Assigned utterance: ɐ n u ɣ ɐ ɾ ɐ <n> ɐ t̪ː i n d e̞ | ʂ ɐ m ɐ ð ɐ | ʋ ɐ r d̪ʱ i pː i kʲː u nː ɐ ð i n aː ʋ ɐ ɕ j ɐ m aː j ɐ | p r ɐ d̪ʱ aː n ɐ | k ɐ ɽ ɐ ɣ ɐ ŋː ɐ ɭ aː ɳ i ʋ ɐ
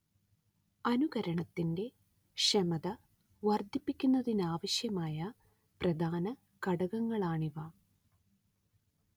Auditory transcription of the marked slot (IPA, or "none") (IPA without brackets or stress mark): ɳ